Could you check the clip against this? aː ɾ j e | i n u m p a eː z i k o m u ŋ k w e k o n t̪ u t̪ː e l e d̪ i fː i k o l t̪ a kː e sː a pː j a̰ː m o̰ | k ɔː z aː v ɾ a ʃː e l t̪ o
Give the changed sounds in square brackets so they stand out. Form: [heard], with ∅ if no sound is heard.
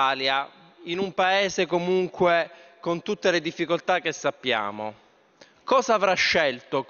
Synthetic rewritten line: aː [l] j [a] | i n u m p a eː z [e] k o m u ŋ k w e k o n t̪ u t̪ː e l e d̪ i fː i k o l t̪ a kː e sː a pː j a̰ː m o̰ | k ɔː z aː v ɾ a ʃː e l t̪ o

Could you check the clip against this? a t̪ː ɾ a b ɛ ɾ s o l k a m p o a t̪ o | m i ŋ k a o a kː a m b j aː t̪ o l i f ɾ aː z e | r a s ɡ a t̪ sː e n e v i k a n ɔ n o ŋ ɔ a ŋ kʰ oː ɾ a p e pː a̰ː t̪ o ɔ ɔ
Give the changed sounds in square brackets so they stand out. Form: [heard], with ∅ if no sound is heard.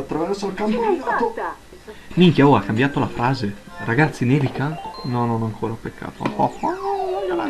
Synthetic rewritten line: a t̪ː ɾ a [v] ɛ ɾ s o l k a m p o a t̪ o | m i ŋ k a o a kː a m b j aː t̪ o l [a] f ɾ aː z e | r a [∅] ɡ a t̪ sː [i] n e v i k a n ɔ n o [n] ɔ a ŋ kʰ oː ɾ a p e [kː] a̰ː t̪ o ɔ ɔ

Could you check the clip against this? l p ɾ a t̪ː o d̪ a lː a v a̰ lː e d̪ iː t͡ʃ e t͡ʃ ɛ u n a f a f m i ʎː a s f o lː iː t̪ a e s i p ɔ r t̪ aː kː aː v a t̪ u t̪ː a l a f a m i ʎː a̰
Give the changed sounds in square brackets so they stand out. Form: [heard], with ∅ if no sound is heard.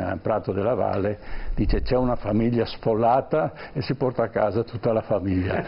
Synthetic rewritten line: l p ɾ a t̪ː o d̪ [e] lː a v a̰ lː e d̪ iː t͡ʃ e t͡ʃ ɛ u n a f a [∅] m i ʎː a s f o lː [aː] t̪ a e s i p ɔ r t̪ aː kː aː [z] a t̪ u t̪ː a l a f a m i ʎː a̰

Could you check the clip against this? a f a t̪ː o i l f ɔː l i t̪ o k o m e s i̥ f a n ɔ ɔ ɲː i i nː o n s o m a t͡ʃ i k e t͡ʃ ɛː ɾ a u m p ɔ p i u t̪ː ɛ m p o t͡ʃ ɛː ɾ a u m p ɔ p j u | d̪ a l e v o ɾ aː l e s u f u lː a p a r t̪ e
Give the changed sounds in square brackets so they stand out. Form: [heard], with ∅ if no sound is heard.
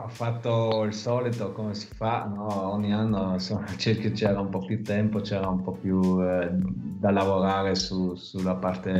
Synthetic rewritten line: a f a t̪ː o i l [s] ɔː l i t̪ o k o m e s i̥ f a n ɔ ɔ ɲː i [a] nː o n s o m a t͡ʃ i k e t͡ʃ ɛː ɾ a u m p ɔ p [j] u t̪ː ɛ m p o t͡ʃ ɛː ɾ a u m p ɔ p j u | d̪ a l [a] v o ɾ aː [ɾ] e s u [s] u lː a p a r t̪ e

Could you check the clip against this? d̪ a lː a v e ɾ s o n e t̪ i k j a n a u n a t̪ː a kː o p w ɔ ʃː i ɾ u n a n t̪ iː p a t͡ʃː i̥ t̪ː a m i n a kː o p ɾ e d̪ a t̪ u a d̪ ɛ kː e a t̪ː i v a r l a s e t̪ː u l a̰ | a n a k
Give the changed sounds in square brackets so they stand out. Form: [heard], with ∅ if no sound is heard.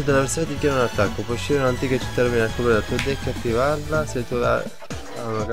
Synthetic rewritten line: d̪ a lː a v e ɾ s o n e t̪ i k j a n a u n a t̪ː a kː o p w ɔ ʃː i ɾ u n a n t̪ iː [k] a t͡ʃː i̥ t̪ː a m i n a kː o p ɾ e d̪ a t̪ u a d̪ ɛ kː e a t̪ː i v a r l a s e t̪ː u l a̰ | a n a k

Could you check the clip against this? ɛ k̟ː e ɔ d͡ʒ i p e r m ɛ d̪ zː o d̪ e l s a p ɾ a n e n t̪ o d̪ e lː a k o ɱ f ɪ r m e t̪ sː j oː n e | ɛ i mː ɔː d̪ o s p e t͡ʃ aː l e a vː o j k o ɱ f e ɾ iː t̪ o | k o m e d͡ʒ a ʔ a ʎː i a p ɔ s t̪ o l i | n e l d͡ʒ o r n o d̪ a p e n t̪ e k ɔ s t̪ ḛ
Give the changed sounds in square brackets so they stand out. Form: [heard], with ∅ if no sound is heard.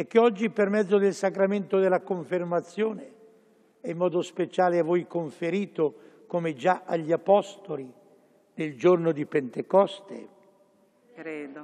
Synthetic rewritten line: ɛ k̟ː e ɔ [d͡ʒː] i p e r m ɛ d̪ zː o d̪ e l s a [k] ɾ a [m] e n t̪ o d̪ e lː a k o ɱ f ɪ r m [a] t̪ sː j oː n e | ɛ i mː ɔː d̪ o s p e t͡ʃ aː l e a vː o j k o ɱ f e ɾ iː t̪ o | k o m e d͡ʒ a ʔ a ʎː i a p ɔ s t̪ o l i | n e l d͡ʒ o r n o d̪ [i] p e n t̪ e k ɔ s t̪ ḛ

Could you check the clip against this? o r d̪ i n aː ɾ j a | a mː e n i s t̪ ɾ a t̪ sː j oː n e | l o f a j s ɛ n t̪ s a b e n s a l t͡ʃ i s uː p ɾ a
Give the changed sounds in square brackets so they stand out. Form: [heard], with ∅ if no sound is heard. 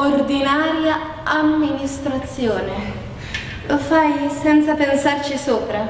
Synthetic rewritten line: o r d̪ i n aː ɾ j a | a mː [i] n i s t̪ ɾ a t̪ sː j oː n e | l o f a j s ɛ n t̪ s a [p] e n s a [r] t͡ʃ i s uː p ɾ a

